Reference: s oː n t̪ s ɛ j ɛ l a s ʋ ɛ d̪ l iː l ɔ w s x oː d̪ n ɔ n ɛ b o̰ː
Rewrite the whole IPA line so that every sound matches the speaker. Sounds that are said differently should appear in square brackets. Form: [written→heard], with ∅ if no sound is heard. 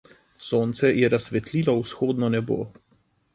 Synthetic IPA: s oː n t̪ s ɛ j ɛ [l→ɾ] a s ʋ ɛ [d̪→t̪] l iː l ɔ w s x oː d̪ n ɔ n ɛ b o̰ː